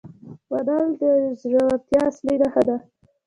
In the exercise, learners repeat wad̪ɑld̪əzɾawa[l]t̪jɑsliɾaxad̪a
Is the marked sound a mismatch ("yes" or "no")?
yes